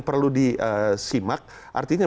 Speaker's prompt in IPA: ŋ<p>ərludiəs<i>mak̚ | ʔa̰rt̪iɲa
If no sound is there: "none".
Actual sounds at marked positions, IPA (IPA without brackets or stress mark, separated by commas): p, i